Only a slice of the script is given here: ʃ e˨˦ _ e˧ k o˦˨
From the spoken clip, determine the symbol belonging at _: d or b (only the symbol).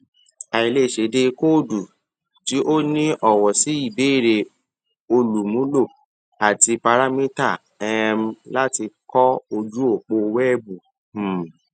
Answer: d